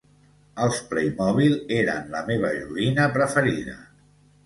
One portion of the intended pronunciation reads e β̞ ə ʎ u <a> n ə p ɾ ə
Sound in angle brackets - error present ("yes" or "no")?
yes